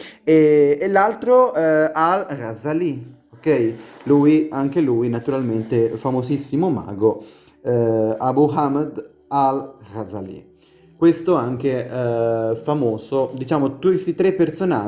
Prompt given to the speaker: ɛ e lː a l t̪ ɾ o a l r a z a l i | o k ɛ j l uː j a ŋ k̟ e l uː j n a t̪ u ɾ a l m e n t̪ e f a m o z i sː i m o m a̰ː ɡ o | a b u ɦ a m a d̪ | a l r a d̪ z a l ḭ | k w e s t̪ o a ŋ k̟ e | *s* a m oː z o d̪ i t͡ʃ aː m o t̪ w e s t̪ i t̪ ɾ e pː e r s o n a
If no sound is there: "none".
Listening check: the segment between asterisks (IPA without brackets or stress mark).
f